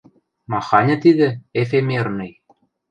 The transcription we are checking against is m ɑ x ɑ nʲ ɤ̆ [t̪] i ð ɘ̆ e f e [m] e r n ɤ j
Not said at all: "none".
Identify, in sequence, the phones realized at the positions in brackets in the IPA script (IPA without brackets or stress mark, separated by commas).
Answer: t̪, m